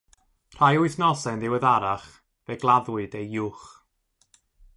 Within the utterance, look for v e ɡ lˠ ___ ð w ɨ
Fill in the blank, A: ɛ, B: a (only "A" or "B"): B